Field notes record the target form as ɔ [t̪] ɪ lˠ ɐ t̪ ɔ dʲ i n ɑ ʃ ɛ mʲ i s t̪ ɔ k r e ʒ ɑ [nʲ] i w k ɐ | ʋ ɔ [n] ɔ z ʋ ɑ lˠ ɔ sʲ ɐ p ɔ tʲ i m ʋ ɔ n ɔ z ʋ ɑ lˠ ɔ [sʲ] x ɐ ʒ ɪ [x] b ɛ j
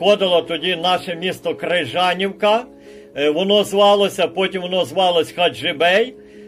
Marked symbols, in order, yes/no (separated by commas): no, yes, yes, yes, no